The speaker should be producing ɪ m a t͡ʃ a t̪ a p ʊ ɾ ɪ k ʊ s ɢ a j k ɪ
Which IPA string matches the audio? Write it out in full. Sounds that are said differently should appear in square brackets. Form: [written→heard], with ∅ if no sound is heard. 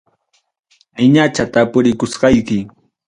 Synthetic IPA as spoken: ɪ [m→ɲ] a t͡ʃ a t̪ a p ʊ ɾ ɪ k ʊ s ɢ [a→ɑ] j k ɪ